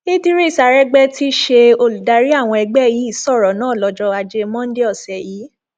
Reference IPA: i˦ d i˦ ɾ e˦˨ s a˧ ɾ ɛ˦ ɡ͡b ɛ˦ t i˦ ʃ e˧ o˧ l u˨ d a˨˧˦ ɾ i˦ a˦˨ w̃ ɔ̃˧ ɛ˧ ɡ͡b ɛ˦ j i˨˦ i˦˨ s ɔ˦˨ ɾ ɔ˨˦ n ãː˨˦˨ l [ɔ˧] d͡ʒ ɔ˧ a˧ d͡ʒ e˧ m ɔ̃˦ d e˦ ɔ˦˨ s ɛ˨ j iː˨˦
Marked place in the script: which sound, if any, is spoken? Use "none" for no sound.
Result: ɔ˧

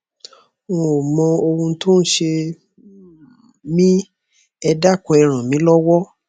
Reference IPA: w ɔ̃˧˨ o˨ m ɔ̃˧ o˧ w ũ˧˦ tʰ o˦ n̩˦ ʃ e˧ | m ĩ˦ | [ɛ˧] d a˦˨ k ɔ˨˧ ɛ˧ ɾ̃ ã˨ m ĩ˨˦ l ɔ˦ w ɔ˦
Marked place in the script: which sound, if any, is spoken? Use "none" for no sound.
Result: ɛ˧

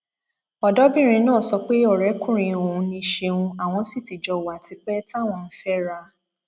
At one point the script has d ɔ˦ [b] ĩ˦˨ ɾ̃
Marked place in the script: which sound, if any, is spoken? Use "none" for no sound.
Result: b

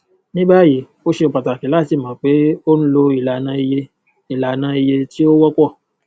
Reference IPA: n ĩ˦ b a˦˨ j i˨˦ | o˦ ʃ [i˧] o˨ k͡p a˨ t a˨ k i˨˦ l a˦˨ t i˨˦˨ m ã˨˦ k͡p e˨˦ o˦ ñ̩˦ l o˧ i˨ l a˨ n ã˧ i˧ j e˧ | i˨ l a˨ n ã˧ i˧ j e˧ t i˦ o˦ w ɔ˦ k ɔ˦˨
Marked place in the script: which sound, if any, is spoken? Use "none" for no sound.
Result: e˧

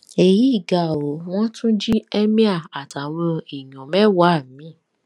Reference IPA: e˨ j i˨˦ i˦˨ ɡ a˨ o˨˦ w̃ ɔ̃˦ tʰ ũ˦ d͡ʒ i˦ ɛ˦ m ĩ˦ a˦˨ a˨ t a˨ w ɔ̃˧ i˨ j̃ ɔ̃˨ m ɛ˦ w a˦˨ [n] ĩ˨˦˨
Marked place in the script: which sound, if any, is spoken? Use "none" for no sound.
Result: m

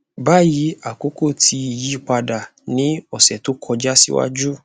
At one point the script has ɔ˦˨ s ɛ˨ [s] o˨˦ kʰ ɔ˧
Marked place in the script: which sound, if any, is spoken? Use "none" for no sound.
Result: t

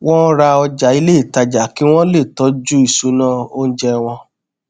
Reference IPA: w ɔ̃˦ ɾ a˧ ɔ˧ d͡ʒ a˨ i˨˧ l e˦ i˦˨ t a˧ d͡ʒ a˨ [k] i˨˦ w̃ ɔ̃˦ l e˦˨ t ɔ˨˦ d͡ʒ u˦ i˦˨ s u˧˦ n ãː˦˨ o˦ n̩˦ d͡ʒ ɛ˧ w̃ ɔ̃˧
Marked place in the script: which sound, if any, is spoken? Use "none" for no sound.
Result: k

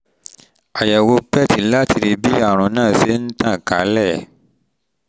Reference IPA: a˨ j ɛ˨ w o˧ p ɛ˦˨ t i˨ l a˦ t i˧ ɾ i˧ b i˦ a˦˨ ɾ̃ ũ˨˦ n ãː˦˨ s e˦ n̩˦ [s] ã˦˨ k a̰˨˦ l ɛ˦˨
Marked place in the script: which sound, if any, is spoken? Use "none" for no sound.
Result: t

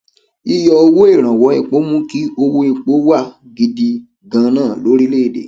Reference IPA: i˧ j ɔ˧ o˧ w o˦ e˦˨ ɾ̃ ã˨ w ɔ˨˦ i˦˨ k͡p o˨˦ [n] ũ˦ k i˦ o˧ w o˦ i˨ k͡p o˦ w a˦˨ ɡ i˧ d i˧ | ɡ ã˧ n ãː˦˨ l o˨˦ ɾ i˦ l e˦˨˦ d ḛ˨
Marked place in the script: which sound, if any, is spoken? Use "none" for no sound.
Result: m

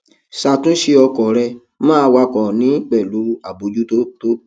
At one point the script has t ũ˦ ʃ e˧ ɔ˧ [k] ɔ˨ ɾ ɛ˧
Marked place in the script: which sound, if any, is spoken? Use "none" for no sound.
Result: k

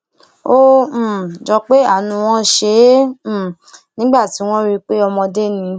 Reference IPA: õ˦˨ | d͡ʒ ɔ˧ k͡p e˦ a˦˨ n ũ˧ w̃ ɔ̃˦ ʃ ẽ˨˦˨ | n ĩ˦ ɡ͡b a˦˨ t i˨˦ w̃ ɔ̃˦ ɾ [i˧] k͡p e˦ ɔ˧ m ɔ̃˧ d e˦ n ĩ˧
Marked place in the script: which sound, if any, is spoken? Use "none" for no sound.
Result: i˧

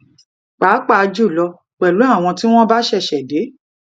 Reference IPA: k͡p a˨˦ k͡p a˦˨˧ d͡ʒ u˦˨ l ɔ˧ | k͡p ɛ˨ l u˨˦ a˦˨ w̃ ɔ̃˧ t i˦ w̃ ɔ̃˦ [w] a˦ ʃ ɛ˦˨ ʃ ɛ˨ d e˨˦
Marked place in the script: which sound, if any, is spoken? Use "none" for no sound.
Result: b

